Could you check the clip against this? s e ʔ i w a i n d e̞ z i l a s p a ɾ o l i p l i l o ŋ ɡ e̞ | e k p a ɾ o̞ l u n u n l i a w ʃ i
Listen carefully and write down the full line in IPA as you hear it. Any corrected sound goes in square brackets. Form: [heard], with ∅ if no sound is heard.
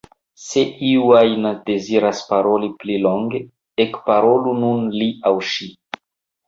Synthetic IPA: s e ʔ i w a [j] n d e̞ z i [ɾ] a s p a ɾ o l i p l i l o ŋ ɡ e̞ | e k p a ɾ o̞ l u n u n l i a w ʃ i